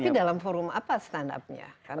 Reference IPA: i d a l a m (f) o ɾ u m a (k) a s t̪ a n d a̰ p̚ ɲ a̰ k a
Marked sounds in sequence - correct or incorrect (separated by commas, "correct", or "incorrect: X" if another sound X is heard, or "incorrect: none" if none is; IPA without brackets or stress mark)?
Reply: correct, incorrect: p